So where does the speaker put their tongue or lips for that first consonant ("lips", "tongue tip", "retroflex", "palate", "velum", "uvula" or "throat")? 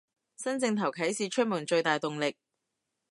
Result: tongue tip